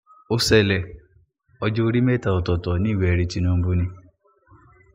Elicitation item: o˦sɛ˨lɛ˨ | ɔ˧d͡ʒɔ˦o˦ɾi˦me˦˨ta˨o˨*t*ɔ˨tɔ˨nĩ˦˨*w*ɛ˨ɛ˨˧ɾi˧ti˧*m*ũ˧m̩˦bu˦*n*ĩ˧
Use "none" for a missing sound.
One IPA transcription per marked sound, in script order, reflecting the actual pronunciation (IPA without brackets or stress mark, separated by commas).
t, w, n, n